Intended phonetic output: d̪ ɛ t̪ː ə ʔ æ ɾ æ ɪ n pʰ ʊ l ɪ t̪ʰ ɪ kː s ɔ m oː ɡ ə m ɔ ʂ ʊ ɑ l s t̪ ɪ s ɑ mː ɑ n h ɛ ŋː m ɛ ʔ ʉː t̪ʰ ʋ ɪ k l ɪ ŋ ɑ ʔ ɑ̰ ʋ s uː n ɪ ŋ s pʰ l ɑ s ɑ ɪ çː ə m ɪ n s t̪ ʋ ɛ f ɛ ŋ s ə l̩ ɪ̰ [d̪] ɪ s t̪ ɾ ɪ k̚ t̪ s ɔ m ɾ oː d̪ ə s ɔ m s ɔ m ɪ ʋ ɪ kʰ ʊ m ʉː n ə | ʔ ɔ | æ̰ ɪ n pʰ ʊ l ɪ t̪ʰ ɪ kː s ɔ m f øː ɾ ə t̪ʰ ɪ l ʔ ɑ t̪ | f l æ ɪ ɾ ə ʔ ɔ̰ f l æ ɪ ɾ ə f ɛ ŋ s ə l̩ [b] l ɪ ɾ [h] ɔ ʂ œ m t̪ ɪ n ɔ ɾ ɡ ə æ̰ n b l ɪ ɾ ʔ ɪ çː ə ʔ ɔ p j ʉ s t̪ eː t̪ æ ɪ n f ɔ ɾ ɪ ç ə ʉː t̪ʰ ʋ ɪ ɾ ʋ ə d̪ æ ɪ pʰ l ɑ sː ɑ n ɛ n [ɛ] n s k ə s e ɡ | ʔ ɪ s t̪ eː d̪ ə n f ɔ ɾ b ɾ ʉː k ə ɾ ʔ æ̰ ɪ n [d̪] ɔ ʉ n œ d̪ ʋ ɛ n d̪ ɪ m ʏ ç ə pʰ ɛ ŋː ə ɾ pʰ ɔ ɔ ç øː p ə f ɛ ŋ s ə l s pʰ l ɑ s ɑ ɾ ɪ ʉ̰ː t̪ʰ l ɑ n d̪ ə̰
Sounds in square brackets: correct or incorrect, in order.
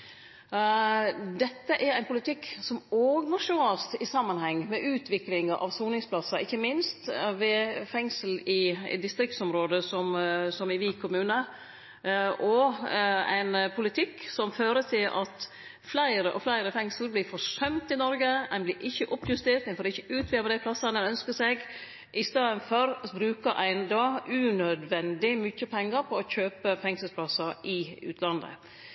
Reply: correct, correct, incorrect: f, incorrect: œ, correct

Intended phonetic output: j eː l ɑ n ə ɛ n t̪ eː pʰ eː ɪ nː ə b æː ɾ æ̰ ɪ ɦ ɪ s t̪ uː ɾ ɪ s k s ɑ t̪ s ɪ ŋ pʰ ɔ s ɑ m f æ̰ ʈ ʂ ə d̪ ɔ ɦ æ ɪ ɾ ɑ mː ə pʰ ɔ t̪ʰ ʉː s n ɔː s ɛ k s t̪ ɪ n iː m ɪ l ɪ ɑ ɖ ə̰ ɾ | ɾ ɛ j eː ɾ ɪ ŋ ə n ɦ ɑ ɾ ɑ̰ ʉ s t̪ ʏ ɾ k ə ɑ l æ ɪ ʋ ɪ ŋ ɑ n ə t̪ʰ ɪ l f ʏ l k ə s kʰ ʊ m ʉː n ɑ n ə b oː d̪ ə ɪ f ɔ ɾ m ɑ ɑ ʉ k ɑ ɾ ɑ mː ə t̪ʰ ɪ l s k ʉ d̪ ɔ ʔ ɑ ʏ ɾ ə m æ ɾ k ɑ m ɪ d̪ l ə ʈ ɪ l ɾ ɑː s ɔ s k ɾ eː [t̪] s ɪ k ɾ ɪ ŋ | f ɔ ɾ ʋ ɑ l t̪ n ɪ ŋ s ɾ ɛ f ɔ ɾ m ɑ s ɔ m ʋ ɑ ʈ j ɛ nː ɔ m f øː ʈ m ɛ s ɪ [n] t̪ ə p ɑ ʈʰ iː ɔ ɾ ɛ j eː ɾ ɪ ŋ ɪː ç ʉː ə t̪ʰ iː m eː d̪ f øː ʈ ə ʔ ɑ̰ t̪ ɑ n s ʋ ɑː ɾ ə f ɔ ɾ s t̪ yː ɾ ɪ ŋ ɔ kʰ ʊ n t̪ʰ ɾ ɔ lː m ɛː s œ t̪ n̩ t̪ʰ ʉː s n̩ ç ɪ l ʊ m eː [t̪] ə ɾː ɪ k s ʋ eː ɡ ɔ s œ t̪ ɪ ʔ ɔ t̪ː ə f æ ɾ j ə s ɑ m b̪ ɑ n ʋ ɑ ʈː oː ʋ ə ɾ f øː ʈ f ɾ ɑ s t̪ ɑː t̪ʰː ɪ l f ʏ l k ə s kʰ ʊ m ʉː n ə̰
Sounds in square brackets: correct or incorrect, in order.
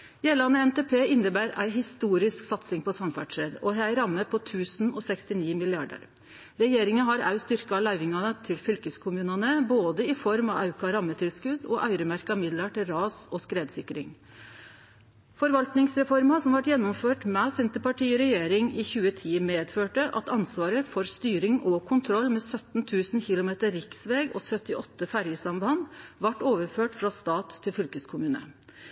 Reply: incorrect: d̪, correct, correct

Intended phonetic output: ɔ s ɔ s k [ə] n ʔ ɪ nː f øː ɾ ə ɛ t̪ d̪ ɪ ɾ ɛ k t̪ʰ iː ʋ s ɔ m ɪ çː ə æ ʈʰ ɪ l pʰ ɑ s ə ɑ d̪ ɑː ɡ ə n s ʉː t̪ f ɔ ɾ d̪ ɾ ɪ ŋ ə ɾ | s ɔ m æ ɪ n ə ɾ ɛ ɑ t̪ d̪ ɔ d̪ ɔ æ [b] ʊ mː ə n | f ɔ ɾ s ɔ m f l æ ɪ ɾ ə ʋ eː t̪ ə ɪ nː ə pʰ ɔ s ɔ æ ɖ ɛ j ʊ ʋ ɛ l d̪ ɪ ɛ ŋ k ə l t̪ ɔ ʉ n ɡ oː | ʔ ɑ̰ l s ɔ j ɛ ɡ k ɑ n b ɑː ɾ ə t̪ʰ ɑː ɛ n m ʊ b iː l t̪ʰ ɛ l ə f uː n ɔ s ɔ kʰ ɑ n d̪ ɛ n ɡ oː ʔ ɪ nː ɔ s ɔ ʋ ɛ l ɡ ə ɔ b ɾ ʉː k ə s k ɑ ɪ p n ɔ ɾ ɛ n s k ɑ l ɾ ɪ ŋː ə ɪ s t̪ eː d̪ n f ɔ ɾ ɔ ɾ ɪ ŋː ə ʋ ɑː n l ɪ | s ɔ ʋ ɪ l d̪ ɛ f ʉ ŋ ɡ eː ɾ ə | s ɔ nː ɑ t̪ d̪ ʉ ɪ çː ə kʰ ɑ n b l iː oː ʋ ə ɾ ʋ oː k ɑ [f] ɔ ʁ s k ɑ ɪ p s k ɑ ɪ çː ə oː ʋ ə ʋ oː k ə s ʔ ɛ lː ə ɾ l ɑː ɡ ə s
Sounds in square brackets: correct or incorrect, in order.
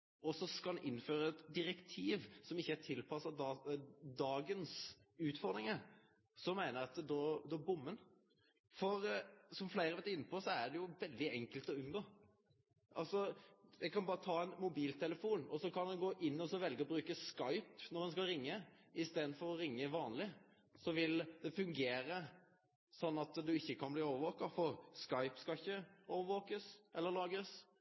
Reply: incorrect: ɑ, correct, correct

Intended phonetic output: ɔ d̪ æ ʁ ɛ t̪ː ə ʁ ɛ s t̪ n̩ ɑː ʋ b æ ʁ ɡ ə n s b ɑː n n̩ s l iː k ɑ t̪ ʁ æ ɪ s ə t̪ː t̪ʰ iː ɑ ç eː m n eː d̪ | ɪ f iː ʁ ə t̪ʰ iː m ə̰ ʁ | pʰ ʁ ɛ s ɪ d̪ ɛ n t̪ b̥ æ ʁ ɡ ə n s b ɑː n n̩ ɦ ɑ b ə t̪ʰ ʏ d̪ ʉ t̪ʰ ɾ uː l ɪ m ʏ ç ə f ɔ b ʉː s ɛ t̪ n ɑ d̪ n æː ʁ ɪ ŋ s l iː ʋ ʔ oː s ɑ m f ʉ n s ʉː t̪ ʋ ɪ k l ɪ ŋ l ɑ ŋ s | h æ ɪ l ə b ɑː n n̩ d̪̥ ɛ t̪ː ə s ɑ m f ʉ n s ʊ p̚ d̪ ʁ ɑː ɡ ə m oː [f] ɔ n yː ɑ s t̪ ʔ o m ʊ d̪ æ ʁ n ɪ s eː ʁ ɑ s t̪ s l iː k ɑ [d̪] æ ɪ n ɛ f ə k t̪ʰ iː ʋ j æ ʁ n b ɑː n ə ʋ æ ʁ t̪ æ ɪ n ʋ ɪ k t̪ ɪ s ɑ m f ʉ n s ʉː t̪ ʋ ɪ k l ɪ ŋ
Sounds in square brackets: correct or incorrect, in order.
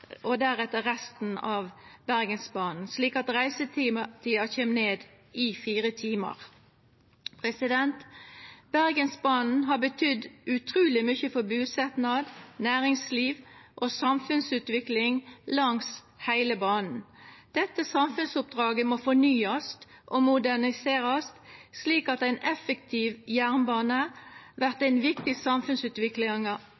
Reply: correct, incorrect: t̪

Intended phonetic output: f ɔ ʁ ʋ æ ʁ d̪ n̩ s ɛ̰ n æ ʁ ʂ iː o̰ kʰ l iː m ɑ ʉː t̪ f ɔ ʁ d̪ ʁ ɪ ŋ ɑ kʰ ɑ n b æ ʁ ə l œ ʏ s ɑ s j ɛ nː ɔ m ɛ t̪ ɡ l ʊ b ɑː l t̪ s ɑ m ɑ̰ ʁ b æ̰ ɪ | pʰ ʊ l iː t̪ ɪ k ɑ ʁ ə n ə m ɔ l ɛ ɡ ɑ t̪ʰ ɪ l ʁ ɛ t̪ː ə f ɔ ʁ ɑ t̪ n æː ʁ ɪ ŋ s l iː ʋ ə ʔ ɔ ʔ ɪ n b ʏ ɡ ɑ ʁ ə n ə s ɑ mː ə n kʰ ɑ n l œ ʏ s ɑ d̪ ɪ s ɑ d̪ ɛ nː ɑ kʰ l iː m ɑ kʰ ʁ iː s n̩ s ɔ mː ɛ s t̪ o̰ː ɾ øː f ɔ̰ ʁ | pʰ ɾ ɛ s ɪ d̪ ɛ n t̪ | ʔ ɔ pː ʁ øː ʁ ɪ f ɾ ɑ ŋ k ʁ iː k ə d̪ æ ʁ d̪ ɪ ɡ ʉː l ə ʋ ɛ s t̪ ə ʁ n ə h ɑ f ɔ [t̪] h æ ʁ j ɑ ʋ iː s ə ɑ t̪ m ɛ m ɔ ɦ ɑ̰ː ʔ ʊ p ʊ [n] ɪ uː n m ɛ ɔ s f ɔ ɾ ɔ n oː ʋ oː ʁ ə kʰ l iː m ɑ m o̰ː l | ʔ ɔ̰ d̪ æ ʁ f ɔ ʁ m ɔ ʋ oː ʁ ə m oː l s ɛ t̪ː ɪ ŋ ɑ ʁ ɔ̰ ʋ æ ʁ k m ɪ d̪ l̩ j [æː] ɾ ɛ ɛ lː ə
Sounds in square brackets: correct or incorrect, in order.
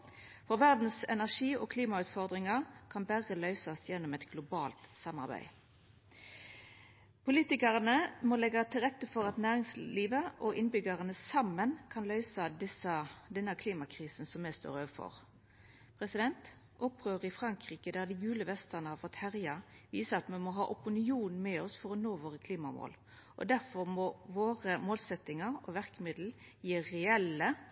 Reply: correct, correct, incorrect: iː

